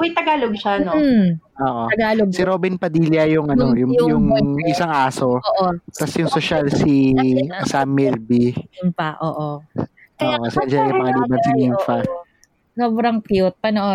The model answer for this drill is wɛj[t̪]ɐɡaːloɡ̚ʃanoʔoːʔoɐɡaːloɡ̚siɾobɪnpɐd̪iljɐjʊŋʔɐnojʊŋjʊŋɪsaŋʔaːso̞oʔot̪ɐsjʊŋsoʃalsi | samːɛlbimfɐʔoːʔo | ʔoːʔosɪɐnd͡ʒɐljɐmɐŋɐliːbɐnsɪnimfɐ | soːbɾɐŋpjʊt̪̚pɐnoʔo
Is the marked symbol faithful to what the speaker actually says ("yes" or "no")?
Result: yes